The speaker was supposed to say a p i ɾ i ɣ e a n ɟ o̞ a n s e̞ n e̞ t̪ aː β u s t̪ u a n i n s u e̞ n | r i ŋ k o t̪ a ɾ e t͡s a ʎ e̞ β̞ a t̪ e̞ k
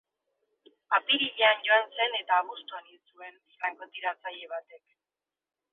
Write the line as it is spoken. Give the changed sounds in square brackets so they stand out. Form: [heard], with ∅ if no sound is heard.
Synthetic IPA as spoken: a p i ɾ i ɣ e a n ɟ o̞ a n s e̞ n e̞ t̪ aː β u s t̪ u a n i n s u e̞ n | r [a] ŋ k o t̪ [i] ɾ [a] t͡s a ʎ e̞ β̞ a t̪ e̞ k